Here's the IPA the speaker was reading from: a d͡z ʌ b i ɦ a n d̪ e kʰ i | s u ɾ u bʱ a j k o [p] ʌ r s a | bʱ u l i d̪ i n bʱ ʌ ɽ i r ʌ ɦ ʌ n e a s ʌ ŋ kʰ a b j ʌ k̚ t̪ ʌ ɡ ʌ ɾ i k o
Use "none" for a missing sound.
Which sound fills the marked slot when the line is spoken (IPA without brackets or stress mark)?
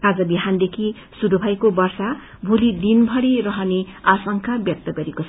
b